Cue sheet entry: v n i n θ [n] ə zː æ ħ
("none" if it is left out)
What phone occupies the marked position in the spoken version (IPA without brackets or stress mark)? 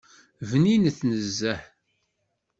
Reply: n